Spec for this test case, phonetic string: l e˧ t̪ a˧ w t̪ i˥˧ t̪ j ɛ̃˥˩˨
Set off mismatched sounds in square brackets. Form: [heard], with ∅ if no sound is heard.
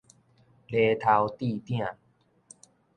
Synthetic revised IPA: l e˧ [t̪ʰ] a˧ w t̪ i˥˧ t̪ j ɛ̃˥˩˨